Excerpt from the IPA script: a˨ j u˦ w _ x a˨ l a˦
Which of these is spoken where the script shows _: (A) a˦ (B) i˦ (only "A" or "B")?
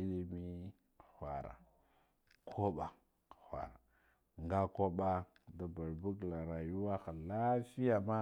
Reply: A